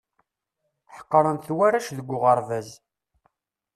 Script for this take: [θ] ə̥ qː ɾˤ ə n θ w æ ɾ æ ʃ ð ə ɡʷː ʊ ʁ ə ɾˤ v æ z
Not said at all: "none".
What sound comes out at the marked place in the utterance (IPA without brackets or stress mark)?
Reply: ħ